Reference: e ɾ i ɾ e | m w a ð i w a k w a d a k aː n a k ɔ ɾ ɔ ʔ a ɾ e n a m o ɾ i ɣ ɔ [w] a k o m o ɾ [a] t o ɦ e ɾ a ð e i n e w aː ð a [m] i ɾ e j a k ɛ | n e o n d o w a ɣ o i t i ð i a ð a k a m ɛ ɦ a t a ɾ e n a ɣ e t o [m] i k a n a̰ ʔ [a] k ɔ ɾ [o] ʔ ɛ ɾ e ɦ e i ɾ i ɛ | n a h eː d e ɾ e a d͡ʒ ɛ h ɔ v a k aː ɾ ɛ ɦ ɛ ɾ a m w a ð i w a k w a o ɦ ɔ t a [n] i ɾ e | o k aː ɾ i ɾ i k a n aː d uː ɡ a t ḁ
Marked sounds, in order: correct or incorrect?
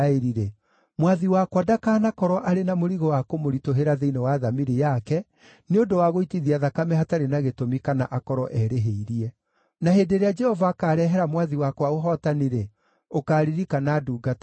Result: correct, incorrect: i, correct, correct, correct, incorrect: ɔ, correct

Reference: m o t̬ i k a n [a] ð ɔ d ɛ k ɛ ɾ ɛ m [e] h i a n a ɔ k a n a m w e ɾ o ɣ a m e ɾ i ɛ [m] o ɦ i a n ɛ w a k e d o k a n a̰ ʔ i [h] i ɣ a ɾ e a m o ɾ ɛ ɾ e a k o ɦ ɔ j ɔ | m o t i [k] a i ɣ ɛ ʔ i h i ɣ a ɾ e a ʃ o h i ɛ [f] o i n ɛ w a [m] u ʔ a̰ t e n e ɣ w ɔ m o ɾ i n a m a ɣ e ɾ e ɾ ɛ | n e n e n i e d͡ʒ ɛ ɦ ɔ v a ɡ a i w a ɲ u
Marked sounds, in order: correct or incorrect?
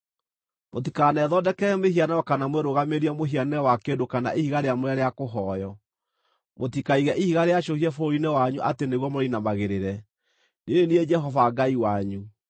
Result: incorrect: ɛ, correct, correct, correct, correct, correct, incorrect: ɲ

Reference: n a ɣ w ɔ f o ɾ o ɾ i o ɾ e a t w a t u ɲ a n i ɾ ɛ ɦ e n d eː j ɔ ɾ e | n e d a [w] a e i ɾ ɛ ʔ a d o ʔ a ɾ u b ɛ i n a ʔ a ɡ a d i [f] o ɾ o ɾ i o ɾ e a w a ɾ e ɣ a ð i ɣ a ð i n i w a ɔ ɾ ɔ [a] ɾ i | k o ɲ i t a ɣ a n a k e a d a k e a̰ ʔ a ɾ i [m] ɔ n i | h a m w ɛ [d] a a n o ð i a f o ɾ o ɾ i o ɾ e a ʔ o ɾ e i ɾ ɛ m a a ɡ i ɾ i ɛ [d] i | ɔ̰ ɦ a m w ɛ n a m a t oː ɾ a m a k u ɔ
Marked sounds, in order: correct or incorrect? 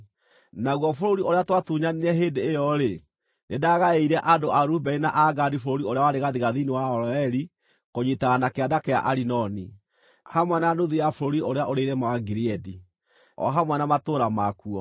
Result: incorrect: ɣ, correct, incorrect: ɛ, incorrect: n, incorrect: n, correct

